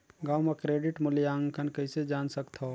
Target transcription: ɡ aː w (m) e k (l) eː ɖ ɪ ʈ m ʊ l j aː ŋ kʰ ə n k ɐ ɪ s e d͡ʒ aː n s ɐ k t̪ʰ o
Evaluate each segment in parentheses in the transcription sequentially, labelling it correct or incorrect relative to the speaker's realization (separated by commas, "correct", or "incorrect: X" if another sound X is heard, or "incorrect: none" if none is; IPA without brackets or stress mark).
correct, incorrect: ɾ